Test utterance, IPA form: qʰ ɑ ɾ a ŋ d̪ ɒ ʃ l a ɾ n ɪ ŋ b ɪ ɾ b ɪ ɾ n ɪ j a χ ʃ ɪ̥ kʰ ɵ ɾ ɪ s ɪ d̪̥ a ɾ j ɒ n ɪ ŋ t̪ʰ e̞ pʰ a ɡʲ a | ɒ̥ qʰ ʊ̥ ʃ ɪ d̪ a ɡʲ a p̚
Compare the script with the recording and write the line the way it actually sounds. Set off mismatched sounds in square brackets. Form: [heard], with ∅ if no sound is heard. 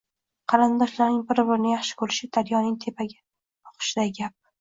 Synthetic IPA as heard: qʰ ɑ ɾ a [n] d̪ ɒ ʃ l a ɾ n ɪ ŋ b ɪ ɾ b ɪ ɾ n ɪ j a χ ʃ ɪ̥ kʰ ɵ ɾ ɪ [ʃ] ɪ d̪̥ a ɾ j ɒ n ɪ ŋ t̪ʰ e̞ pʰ a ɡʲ a | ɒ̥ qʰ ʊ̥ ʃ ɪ d̪ a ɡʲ a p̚